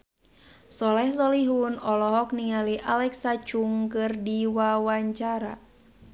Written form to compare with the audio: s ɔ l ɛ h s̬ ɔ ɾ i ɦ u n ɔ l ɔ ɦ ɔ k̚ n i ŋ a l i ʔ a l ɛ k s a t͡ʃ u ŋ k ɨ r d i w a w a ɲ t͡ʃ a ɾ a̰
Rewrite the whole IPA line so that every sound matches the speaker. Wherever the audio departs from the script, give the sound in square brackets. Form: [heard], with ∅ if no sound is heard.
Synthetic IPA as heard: s ɔ l ɛ h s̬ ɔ [l] i ɦ u n ɔ l ɔ ɦ ɔ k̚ n i ŋ a l i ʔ a l ɛ k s a t͡ʃ u ŋ k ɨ r d i w a w a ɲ t͡ʃ a ɾ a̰